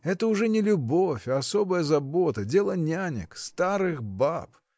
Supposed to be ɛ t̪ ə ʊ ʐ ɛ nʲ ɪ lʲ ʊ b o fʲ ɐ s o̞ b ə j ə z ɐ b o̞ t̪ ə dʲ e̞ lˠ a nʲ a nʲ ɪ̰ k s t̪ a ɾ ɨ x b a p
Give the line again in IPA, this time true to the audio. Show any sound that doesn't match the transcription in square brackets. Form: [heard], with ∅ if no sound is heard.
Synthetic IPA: ɛ t̪ ə ʊ ʐ ɛ nʲ ɪ lʲ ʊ b o fʲ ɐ s o̞ b ə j ə z ɐ b o̞ t̪ ə dʲ e̞ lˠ [ə] nʲ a nʲ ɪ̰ k s t̪ a ɾ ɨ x b a p